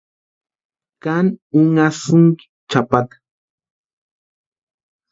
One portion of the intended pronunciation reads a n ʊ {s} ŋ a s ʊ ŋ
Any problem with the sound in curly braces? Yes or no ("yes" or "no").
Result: yes